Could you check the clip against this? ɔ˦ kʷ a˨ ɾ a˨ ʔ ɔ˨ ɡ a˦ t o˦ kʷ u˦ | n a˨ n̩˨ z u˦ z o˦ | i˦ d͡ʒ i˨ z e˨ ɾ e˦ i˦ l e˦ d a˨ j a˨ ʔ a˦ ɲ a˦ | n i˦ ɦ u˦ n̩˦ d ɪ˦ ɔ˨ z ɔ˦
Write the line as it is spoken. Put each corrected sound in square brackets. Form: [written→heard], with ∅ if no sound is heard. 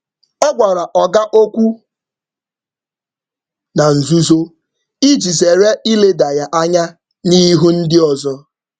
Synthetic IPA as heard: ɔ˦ [kʷ→ɡʷ] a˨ ɾ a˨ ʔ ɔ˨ ɡ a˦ [t→ʔ] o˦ kʷ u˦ | n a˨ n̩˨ z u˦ z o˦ | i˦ d͡ʒ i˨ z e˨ ɾ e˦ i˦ l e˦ d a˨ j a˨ ʔ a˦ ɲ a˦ | n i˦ ɦ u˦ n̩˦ d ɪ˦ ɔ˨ z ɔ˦